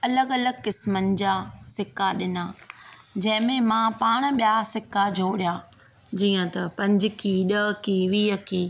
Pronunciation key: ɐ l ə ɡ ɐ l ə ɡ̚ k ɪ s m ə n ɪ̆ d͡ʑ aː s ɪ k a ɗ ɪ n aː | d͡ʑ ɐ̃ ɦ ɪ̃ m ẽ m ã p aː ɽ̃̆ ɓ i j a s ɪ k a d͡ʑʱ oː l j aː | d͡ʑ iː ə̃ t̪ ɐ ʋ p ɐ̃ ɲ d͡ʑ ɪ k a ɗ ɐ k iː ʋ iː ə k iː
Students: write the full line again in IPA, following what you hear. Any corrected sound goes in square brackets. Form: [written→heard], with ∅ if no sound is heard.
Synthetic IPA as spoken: ɐ l ə ɡ ɐ l ə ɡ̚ k ɪ s m ə n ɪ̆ d͡ʑ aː s ɪ k a ɗ ɪ n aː | d͡ʑ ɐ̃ ɦ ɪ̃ m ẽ m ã p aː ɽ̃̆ ɓ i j a s ɪ k a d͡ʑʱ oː [l→ɽ] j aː | d͡ʑ iː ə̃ t̪ ɐ [ʋ→∅] p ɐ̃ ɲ d͡ʑ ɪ k [a→i] ɗ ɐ k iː ʋ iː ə k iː